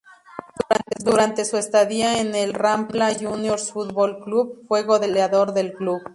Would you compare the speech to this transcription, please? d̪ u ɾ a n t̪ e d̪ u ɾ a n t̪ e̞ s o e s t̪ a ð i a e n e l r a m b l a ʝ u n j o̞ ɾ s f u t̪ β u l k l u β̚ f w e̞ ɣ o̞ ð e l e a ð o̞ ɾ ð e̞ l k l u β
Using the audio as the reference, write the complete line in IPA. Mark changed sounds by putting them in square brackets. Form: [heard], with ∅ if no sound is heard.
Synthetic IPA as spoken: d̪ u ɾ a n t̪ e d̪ u ɾ a n t̪ e̞ s [u] e s t̪ a ð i a e n e l r a m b l a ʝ u n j o̞ ɾ s f u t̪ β [o] l k l u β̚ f w e̞ ɣ o̞ ð e l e a ð o̞ ɾ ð e̞ l k l u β